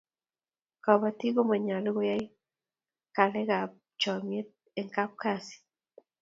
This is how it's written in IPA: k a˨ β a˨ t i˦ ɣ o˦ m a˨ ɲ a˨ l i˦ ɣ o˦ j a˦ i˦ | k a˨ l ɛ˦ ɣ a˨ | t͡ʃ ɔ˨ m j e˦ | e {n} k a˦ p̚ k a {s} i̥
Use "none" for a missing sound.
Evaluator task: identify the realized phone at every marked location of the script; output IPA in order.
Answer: ŋ, s

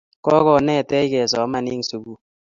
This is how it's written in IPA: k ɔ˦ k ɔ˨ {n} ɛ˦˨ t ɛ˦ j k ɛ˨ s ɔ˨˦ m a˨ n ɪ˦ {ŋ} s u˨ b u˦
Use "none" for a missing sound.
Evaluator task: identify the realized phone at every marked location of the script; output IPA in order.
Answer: n, ŋ

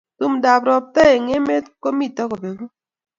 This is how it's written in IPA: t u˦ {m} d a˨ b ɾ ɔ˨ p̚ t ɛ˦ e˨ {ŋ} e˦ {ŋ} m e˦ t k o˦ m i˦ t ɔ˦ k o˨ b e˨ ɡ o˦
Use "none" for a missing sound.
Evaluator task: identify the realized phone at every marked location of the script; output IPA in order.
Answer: m, ŋ, none

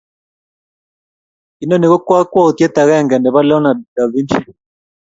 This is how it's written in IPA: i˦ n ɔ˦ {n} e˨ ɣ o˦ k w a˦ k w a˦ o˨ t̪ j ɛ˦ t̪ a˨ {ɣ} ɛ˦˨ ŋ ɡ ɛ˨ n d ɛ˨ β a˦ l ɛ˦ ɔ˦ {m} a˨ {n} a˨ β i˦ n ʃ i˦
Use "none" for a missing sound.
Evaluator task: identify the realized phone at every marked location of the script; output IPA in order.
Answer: n, ɣ, n, d

